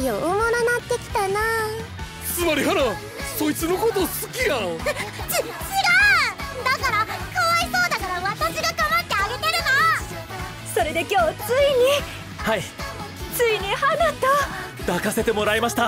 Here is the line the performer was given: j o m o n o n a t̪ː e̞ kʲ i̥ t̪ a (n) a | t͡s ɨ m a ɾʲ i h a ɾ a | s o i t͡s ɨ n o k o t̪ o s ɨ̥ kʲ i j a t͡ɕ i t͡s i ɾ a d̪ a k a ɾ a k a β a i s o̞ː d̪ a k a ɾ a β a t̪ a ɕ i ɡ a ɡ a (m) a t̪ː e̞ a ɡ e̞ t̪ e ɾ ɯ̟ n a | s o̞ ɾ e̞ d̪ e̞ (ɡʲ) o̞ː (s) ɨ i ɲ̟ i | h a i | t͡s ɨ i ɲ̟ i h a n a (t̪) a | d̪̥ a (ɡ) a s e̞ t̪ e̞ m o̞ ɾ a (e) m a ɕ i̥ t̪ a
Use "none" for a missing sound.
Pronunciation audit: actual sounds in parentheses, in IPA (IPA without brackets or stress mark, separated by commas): n, m, kʲ, t͡s, t̪, k, i